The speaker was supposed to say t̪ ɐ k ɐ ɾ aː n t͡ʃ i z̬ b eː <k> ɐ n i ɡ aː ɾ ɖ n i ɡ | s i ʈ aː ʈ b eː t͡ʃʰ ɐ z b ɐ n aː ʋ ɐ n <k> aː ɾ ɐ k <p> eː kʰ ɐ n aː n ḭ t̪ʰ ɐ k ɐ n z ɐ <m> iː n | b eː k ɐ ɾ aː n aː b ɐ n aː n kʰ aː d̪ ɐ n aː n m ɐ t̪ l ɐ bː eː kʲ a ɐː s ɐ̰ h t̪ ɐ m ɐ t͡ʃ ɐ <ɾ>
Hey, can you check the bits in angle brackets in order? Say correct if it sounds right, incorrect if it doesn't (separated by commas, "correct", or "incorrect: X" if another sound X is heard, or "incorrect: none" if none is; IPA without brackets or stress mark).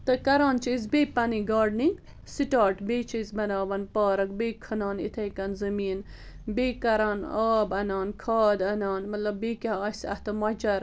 incorrect: p, incorrect: p, incorrect: b, correct, correct